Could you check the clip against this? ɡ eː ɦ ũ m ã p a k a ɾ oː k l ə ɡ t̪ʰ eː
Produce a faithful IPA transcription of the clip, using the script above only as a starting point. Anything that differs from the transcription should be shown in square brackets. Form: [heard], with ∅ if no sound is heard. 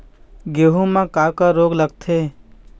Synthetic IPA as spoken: ɡ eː ɦ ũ m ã [k] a k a ɾ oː [ɡ] l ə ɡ t̪ʰ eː